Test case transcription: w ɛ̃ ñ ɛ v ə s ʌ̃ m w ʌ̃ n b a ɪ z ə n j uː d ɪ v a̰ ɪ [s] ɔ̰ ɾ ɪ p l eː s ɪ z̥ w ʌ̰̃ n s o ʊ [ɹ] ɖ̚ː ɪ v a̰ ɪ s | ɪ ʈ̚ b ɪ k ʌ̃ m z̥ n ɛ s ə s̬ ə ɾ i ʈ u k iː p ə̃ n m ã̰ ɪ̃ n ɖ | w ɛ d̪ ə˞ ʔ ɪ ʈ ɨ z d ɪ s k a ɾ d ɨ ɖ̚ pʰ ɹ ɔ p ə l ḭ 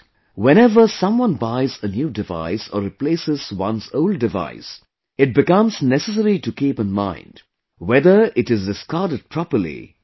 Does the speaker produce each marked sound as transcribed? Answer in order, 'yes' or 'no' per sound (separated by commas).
yes, no